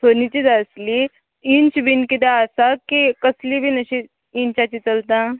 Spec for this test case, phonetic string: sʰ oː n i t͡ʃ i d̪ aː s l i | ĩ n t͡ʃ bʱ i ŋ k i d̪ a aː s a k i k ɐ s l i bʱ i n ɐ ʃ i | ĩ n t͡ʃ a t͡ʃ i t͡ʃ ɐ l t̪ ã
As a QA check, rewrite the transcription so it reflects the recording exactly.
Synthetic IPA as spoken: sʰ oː n i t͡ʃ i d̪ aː s l i | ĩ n t͡ʃ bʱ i n k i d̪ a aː s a k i k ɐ s l i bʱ i n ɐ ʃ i | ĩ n t͡ʃ a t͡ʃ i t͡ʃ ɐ l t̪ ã